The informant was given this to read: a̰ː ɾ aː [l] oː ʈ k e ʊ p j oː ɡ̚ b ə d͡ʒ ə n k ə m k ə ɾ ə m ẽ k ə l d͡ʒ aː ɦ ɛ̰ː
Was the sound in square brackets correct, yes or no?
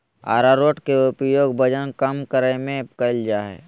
no